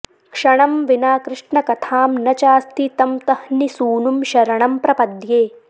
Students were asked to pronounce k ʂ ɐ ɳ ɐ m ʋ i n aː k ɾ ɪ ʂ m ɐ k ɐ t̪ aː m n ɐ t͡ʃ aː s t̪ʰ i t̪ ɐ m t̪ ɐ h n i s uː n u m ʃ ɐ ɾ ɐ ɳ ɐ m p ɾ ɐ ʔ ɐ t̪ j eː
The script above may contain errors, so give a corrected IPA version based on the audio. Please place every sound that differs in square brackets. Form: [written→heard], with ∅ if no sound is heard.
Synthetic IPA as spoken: k ʂ ɐ ɳ ɐ m ʋ i n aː k ɾ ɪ ʂ [m→ɳ] ɐ k ɐ [t̪→t̪ʰ] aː m n ɐ t͡ʃ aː s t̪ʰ i t̪ ɐ m t̪ ɐ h n i s uː n u m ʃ ɐ ɾ ɐ ɳ ɐ m p ɾ ɐ [ʔ→p] ɐ [t̪→d̪] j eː